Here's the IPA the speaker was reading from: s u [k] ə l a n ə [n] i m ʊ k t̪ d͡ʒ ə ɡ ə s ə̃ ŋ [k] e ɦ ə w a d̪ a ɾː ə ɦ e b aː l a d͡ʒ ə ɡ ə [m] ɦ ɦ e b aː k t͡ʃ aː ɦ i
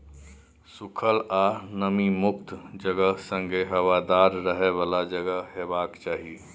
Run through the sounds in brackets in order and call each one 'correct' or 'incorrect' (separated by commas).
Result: incorrect, incorrect, incorrect, incorrect